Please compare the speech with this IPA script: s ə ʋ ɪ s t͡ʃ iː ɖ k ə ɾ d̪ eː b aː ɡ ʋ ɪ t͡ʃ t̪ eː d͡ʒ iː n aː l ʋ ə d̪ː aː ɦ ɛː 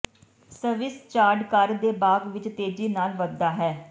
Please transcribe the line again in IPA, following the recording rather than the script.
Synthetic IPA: s ə ʋ ɪ s t͡ʃ aː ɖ k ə ɾ d̪ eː b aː ɡ ʋ ɪ t͡ʃ t̪ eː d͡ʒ iː n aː l ʋ ə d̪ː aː ɦ ɛː